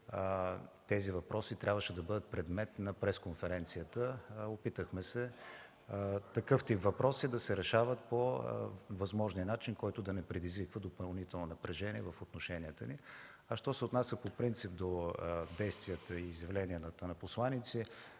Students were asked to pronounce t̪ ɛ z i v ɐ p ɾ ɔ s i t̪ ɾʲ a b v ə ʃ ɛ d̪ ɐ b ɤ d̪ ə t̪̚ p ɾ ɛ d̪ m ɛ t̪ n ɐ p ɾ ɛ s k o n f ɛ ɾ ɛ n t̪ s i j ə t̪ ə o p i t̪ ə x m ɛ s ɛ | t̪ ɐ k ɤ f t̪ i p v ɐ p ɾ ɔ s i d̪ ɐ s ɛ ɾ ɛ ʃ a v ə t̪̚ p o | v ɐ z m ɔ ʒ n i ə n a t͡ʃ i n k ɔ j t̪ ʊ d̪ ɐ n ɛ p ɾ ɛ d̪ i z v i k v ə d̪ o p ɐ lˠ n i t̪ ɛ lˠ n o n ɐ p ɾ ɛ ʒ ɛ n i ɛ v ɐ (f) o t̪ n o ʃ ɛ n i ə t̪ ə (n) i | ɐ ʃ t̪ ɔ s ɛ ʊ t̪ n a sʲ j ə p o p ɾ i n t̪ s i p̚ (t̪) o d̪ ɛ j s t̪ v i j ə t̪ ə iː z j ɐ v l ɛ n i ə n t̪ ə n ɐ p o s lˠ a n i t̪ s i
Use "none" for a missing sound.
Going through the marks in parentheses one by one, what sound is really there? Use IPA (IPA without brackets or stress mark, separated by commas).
f, n, d̪